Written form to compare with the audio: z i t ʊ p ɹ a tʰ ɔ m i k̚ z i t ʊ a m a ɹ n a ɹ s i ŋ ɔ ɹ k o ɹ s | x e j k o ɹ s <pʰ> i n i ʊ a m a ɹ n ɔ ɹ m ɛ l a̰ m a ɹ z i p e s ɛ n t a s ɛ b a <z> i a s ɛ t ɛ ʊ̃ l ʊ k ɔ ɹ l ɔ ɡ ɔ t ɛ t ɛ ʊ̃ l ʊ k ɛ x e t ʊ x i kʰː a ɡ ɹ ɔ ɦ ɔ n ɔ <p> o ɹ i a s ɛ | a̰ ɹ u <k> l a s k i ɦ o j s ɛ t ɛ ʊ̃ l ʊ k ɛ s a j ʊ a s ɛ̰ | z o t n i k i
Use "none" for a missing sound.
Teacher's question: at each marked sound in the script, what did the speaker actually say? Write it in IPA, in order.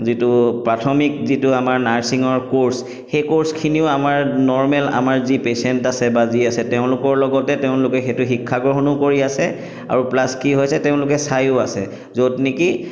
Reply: kʰ, z, k, p

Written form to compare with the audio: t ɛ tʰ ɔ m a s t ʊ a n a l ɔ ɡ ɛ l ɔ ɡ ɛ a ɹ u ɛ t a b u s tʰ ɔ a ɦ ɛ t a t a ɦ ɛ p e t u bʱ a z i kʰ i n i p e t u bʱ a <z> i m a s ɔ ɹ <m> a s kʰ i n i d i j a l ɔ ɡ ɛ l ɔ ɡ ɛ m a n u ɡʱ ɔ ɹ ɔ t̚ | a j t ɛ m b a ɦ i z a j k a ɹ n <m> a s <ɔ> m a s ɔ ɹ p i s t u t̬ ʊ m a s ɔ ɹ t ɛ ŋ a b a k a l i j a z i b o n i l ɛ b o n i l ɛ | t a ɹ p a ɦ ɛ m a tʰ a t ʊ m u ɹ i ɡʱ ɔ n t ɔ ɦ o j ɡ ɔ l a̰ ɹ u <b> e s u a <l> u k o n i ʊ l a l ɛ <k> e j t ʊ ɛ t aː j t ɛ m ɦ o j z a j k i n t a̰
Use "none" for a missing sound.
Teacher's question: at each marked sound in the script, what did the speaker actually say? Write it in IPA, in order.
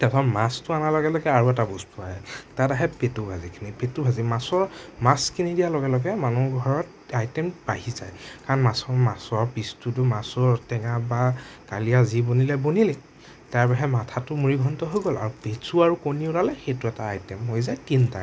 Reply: z, m, m, ɔ, p, ɹ, x

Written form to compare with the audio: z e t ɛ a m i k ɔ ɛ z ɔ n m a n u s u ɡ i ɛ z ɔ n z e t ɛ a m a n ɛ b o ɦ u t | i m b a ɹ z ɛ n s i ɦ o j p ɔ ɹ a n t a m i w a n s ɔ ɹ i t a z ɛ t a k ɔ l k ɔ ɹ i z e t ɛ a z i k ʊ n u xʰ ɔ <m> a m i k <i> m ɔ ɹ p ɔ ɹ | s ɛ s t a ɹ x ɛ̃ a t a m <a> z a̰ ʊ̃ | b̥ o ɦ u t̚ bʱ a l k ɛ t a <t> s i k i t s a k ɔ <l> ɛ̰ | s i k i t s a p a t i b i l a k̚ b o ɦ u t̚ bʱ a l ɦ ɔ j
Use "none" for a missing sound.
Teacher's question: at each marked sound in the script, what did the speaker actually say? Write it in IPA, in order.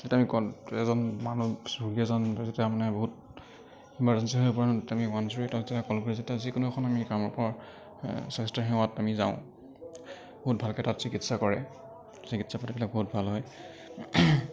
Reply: n, a, i, t, ɹ

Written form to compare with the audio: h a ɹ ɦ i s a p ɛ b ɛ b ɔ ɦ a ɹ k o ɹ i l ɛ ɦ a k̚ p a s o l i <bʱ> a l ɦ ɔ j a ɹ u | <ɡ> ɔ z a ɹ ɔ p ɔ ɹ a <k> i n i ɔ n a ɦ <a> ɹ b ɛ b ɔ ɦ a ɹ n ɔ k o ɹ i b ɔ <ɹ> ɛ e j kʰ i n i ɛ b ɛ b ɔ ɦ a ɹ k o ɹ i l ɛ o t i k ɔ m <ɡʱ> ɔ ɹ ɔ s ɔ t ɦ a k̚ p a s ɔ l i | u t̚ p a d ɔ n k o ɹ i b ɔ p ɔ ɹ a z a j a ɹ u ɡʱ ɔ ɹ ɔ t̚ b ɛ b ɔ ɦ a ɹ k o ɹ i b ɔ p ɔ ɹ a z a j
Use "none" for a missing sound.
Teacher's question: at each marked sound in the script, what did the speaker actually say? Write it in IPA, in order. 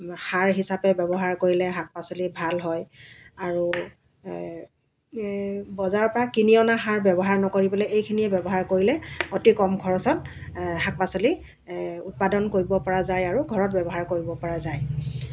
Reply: bʱ, b, k, a, l, ɡʱ

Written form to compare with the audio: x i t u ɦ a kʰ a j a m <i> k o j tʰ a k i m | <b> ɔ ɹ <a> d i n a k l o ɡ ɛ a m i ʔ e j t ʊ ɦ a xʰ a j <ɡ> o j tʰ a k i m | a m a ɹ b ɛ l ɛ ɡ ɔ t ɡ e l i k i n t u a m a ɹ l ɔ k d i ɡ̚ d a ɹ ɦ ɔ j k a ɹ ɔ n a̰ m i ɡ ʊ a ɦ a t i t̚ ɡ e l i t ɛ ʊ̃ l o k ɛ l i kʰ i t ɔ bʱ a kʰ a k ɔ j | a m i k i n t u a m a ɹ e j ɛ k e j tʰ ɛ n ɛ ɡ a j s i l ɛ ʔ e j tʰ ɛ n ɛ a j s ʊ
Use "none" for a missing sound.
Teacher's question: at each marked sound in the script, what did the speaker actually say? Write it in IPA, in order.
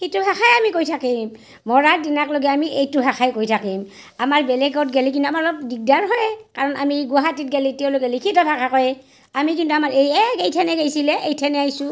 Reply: i, m, a, k

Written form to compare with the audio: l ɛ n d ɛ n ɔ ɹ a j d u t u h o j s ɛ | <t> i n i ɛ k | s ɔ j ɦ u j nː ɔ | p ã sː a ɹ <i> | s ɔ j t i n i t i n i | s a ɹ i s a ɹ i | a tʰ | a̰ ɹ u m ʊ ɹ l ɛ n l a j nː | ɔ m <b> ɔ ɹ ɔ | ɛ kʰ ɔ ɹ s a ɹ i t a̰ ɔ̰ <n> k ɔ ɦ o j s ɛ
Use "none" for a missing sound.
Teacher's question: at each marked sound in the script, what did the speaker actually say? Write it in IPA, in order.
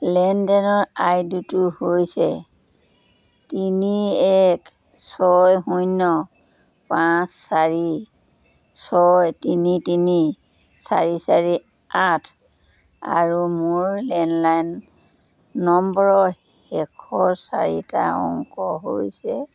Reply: t, i, b, ŋ

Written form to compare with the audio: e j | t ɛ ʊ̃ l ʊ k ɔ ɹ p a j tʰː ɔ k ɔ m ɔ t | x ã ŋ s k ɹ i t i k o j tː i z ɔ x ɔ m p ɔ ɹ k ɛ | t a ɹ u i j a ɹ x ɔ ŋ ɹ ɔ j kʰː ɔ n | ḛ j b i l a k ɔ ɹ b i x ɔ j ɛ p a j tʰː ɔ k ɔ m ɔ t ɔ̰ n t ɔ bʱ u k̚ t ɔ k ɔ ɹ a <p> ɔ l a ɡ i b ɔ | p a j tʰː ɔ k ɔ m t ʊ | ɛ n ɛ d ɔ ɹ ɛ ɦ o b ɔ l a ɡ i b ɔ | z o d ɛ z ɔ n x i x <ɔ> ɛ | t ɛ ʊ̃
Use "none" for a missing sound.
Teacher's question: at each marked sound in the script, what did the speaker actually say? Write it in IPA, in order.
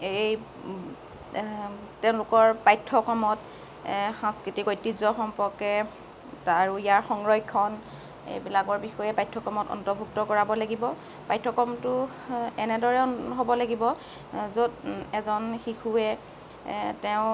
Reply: b, u

